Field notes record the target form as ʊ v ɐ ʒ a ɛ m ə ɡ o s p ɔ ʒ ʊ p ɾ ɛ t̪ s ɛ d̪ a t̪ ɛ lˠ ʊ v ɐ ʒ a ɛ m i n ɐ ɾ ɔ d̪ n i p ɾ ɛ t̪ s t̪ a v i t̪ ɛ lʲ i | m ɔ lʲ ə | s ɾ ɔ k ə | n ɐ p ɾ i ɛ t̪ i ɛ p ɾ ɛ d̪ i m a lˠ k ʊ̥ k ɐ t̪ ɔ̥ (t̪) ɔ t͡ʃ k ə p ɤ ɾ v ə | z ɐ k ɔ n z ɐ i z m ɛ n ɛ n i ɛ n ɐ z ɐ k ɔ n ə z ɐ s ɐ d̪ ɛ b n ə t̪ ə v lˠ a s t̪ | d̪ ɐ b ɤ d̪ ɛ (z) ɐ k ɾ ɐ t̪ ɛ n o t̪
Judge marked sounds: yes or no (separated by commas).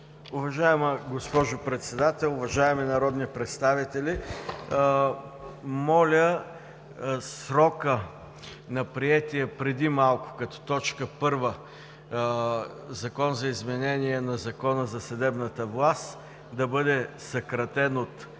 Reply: yes, no